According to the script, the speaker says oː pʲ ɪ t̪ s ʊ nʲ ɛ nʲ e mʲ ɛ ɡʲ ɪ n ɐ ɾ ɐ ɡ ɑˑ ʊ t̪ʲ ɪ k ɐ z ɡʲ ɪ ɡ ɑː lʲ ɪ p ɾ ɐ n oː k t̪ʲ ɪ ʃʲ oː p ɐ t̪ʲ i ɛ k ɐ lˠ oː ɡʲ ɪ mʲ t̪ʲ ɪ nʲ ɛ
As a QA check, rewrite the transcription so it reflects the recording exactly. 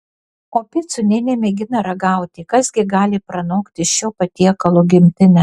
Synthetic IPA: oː pʲ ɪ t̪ s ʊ nʲ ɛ nʲ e mʲ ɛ ɡʲ ɪ n ɐ ɾ ɐ ɡ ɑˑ ʊ t̪ʲ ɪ k ɐ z ɡʲ ɪ ɡ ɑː lʲ ɪ p ɾ ɐ n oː k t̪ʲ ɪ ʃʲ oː p ɐ t̪ʲ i ɛ k ɐ lˠ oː ɡʲ ɪ mʲ t̪ʲ ɪ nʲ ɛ